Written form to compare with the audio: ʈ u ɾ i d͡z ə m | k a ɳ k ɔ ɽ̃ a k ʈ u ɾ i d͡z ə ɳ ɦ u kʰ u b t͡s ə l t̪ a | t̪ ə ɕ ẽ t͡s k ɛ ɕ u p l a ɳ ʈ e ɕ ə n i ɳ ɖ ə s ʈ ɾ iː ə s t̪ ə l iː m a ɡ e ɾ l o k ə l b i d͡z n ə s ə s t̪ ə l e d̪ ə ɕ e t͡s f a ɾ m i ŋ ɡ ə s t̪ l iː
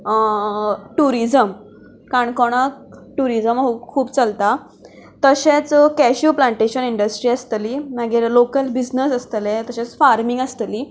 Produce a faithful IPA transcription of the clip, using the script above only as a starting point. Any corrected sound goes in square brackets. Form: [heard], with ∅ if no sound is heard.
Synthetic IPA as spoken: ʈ u ɾ i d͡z ə m | k a ɳ k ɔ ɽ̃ a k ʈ u ɾ i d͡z ə [m] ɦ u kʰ [uː] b t͡s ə l t̪ a | t̪ ə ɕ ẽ t͡s k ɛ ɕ u p l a ɳ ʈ e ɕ ə n i ɳ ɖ ə s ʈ ɾ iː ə s t̪ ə l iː m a ɡ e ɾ l o k ə l b i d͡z n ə s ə s t̪ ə l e [t̪] ə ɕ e t͡s f a ɾ m i ŋ ɡ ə s t̪ l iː